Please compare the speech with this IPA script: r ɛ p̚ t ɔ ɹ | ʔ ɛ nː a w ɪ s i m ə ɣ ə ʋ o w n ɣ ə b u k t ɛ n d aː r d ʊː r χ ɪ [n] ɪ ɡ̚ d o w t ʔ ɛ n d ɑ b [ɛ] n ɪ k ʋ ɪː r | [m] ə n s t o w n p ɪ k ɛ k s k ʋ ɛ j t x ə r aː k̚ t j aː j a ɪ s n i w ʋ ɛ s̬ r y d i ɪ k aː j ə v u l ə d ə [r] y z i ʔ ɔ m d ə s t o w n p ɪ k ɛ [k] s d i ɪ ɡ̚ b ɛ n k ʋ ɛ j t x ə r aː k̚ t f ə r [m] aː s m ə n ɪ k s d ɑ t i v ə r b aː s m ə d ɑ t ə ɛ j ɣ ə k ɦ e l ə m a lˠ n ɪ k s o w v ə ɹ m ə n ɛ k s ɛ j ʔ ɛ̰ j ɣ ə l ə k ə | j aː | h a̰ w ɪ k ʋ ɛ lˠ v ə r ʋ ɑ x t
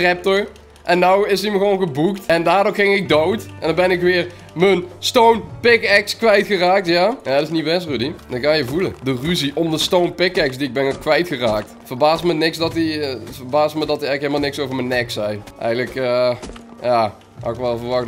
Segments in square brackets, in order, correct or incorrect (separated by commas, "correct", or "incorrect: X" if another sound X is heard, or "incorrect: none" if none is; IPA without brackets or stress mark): incorrect: ŋ, correct, correct, correct, correct, incorrect: b